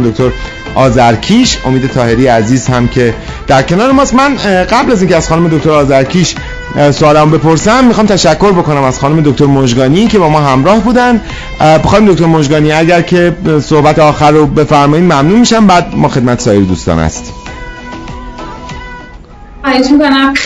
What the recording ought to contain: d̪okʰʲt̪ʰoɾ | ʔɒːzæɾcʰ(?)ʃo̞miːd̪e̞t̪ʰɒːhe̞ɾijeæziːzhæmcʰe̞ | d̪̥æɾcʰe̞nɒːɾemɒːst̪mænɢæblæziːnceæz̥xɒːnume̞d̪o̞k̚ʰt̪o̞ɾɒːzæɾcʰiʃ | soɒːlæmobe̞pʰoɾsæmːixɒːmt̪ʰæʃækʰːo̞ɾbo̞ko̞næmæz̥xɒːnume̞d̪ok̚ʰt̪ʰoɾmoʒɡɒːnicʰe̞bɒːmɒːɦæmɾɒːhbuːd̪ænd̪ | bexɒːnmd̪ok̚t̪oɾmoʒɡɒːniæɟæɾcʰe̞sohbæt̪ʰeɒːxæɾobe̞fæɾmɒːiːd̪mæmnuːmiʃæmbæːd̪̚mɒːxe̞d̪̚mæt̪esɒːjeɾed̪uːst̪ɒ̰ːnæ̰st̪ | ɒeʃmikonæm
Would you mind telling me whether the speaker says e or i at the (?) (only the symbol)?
i